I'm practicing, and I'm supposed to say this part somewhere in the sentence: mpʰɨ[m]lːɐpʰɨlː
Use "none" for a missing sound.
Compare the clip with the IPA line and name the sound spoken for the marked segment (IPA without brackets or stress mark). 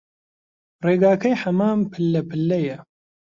none